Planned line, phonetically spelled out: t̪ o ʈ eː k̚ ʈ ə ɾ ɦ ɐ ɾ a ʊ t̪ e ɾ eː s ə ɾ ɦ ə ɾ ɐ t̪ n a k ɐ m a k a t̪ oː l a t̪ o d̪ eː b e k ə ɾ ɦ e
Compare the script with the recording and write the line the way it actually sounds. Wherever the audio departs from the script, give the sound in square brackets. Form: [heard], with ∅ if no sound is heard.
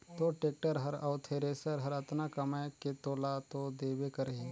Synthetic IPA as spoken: t̪ o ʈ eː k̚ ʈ ə ɾ ɦ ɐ ɾ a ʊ [t̪ʰ] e ɾ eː s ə ɾ ɦ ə ɾ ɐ t̪ n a k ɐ m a k [e] t̪ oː l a t̪ o d̪ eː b e k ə ɾ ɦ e